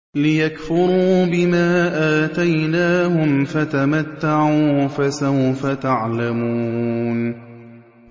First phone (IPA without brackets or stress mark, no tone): l